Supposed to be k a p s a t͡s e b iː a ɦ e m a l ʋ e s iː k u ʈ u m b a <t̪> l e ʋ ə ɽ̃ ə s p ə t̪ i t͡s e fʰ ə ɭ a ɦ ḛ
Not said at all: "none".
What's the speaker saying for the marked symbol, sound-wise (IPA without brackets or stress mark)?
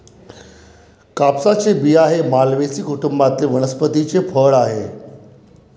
t̪